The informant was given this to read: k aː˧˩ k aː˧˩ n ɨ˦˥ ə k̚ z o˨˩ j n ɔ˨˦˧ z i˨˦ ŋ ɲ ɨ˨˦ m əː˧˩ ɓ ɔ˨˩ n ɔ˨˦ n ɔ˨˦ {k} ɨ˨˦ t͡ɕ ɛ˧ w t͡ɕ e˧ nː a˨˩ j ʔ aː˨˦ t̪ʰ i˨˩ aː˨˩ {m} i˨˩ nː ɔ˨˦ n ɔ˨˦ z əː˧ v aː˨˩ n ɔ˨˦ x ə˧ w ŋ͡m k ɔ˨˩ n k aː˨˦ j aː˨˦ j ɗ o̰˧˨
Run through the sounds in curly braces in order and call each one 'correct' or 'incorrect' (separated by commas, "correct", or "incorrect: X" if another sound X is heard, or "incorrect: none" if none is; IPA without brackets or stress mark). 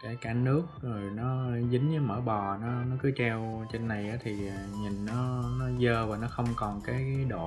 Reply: correct, incorrect: ɲ